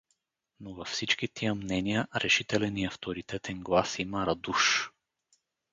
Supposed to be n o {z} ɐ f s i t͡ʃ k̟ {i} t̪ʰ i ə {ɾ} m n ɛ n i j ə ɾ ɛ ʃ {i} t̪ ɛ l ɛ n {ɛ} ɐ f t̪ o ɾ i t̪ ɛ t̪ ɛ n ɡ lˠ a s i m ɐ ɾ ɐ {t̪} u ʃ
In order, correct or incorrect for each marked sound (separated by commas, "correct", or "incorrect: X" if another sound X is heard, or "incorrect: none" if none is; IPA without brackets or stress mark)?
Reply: incorrect: v, correct, incorrect: none, correct, incorrect: i, incorrect: d̪